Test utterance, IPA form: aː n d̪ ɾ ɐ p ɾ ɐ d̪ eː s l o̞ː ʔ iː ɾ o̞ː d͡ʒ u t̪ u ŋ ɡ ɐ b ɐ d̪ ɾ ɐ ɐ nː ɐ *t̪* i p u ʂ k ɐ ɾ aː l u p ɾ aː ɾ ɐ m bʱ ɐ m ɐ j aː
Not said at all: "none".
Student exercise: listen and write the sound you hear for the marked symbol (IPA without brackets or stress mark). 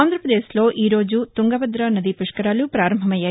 d̪